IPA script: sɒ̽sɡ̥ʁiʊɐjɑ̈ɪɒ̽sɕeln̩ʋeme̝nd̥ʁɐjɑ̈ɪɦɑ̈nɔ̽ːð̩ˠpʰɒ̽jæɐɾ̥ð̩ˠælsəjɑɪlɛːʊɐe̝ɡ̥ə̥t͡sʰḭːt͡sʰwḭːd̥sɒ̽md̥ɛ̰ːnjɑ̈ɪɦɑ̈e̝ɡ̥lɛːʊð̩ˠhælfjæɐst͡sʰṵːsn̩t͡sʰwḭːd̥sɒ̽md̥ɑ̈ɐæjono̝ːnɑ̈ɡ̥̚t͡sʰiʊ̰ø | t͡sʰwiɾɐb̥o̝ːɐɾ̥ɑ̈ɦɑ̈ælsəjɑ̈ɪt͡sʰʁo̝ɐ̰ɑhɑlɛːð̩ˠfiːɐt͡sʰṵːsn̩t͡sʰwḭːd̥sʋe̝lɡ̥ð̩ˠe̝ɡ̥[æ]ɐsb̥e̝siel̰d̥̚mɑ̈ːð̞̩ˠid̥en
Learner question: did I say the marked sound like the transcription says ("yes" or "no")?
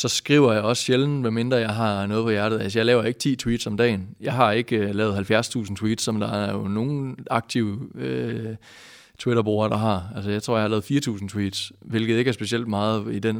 yes